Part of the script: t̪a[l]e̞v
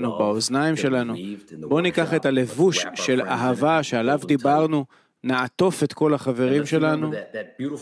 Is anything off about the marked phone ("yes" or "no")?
no